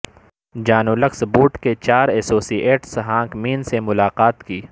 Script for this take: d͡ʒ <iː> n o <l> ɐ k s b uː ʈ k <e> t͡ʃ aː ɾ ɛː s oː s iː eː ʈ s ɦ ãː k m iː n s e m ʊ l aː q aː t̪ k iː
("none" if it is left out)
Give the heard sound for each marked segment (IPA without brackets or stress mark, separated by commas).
aː, l, e